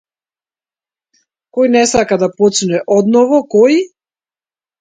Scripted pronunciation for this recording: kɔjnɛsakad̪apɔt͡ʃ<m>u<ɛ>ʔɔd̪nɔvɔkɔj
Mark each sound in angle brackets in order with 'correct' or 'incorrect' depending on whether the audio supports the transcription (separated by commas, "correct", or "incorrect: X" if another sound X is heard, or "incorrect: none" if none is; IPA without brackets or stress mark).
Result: incorrect: n, correct